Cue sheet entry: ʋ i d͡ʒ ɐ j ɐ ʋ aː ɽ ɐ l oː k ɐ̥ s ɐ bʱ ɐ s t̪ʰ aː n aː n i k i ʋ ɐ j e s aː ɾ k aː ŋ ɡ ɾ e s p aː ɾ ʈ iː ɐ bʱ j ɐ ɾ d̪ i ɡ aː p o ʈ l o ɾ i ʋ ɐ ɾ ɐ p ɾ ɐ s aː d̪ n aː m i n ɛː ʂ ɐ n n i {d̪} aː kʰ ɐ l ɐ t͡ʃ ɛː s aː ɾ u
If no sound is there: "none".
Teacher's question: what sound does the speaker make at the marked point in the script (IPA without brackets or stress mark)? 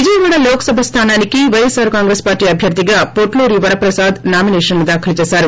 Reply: d̪